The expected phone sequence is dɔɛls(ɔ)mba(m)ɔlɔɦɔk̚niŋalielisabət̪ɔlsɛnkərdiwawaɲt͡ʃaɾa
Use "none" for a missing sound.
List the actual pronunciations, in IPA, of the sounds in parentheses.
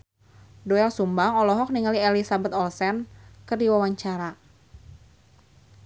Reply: u, ŋ

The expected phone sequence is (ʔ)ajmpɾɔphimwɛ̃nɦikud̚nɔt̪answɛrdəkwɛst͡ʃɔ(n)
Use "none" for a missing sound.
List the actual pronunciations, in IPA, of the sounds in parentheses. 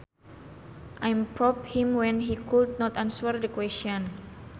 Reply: ʔ, n

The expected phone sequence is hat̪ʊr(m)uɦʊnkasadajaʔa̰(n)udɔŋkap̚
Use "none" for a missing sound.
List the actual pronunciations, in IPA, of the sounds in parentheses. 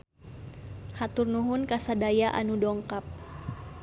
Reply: n, n

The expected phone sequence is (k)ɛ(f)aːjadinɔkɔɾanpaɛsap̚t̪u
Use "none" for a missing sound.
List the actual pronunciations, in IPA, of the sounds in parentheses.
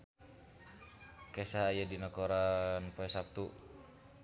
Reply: k, s

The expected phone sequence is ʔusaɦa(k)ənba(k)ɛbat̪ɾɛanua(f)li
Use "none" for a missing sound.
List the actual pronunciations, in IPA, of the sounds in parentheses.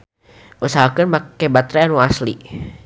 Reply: k, k, s

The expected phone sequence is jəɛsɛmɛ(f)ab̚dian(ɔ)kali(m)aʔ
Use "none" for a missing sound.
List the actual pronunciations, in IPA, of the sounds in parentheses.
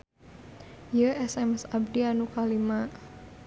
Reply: s, u, m

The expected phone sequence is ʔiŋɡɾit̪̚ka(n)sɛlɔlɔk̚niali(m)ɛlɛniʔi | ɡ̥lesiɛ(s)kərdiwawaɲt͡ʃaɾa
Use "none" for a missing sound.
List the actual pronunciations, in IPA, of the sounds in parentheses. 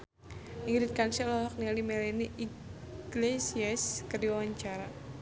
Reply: n, m, s

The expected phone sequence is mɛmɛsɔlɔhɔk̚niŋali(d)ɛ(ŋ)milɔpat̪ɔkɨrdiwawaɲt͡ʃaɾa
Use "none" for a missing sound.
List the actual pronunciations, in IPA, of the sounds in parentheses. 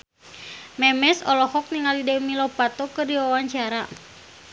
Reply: d, none

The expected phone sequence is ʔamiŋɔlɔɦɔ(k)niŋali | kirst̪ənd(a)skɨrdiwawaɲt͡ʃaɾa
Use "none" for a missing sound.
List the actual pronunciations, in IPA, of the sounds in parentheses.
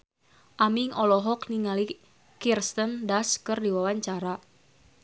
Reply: k, a

